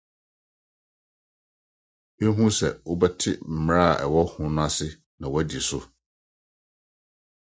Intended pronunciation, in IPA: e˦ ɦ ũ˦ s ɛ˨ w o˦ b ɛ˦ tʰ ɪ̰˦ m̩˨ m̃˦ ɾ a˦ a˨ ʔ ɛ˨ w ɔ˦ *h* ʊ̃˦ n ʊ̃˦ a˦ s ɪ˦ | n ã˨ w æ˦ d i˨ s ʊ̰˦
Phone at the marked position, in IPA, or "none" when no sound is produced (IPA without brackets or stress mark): h